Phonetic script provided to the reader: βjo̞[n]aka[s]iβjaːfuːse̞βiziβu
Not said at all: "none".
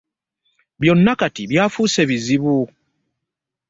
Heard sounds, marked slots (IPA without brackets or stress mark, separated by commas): nː, t